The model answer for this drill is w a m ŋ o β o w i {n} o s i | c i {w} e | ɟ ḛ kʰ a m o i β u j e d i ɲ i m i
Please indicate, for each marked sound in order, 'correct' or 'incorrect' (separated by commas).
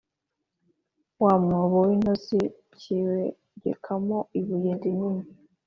correct, correct